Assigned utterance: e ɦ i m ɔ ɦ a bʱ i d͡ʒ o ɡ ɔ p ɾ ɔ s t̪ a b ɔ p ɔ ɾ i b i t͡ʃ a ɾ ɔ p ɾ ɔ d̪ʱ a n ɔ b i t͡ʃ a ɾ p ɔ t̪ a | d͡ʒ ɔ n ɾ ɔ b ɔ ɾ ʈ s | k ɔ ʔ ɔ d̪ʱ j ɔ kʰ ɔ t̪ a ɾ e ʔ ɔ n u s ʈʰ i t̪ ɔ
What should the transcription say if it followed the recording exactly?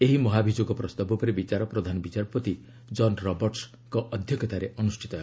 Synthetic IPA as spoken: e ɦ i m ɔ ɦ a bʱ i d͡ʒ o ɡ ɔ p ɾ ɔ s t̪ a b ɔ p ɔ ɾ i b i t͡ʃ a ɾ ɔ p ɾ ɔ d̪ʱ a n ɔ b i t͡ʃ a ɾ p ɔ t̪ i | d͡ʒ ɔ n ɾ ɔ b ɔ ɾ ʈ s | k ɔ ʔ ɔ d̪ʱ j ɔ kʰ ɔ t̪ a ɾ e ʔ ɔ n u s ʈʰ i t̪ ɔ